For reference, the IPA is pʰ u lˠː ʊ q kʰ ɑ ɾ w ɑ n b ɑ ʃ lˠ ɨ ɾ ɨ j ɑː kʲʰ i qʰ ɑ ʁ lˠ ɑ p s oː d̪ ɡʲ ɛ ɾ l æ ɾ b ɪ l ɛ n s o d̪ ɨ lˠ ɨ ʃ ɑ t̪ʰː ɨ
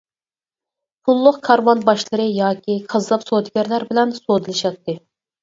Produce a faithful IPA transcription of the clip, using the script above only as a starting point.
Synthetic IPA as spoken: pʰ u lˠː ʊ q kʰ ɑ ɾ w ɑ n b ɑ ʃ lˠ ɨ ɾ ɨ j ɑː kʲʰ i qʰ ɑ z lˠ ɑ p s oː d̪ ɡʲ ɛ ɾ l æ ɾ b ɪ l ɛ n s o d̪ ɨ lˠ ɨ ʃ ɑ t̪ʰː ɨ